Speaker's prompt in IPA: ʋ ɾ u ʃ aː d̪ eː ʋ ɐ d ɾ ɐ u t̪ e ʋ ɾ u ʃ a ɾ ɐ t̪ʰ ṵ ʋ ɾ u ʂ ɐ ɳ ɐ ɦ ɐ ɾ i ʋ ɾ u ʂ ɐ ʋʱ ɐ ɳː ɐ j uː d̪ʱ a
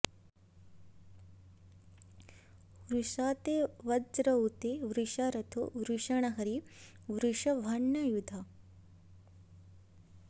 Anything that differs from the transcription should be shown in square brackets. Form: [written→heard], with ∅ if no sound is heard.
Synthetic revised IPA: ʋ ɾ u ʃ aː [d̪→t̪] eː ʋ ɐ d ɾ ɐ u t̪ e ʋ ɾ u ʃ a ɾ ɐ t̪ʰ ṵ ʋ ɾ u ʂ ɐ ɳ ɐ ɦ ɐ ɾ i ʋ ɾ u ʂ ɐ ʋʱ ɐ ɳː ɐ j [uː→u] d̪ʱ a